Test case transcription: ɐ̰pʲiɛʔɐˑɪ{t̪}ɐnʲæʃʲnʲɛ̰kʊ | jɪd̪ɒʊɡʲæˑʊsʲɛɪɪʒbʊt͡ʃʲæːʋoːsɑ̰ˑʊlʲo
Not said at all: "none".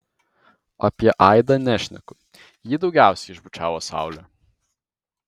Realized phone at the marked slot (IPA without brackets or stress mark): d̪